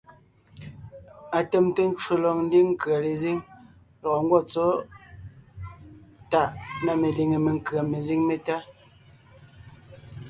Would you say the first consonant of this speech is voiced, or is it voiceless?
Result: voiceless